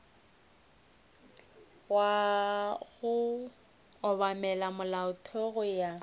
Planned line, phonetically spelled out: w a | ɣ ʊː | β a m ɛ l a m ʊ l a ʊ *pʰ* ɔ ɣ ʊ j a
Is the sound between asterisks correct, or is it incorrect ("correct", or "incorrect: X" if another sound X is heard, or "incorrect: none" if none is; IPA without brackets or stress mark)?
incorrect: tʰ